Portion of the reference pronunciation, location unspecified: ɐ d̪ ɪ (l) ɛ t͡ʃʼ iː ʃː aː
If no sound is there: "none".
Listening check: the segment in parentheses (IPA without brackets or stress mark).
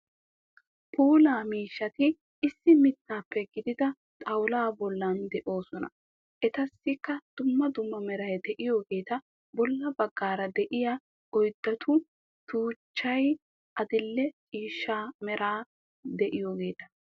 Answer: lː